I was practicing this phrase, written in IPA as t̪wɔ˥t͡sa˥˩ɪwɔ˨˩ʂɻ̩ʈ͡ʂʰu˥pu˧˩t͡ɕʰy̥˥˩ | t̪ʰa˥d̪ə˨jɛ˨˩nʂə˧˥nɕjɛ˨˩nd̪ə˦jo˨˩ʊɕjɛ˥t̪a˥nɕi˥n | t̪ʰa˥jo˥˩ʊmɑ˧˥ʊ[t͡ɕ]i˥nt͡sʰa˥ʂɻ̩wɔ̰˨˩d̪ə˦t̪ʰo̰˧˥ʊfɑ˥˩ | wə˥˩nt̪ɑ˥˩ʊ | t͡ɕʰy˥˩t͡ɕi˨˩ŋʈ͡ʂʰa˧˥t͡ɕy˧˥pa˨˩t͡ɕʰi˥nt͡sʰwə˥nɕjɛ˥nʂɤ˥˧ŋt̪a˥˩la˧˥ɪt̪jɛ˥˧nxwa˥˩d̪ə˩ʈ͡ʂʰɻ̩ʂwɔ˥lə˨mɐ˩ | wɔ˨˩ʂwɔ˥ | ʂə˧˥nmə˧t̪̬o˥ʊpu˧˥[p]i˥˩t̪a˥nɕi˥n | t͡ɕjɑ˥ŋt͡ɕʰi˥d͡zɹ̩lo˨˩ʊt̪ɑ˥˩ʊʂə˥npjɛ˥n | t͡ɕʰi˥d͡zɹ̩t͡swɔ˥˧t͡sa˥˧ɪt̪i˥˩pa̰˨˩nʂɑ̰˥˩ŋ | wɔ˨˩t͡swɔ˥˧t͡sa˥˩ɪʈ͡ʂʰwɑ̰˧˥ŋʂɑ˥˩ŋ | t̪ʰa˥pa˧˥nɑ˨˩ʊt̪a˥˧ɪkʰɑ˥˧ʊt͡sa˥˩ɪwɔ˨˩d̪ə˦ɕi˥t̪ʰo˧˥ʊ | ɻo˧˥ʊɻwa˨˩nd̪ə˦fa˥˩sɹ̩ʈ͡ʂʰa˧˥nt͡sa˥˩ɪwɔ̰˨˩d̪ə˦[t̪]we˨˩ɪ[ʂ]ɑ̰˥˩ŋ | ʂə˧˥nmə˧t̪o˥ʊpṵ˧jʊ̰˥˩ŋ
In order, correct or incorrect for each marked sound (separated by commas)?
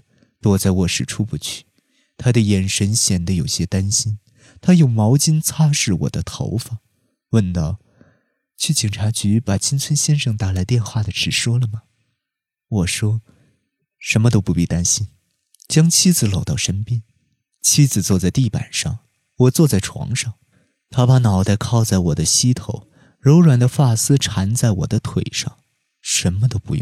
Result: correct, correct, incorrect, correct